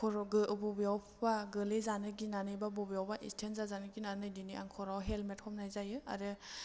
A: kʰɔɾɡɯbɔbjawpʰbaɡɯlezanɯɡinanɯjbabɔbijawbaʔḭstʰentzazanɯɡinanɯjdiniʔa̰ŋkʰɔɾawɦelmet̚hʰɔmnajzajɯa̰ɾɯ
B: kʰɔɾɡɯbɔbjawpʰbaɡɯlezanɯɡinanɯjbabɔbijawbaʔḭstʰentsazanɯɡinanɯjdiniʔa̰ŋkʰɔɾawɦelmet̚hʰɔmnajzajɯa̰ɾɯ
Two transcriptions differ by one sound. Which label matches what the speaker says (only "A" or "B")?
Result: A